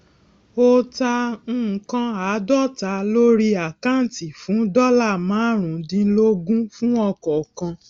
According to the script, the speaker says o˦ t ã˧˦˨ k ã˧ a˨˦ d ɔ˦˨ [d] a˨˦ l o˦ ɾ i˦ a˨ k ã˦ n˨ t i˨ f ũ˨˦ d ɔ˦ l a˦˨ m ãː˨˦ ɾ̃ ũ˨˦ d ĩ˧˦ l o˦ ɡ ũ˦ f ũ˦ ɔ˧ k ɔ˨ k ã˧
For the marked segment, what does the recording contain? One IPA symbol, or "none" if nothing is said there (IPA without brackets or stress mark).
t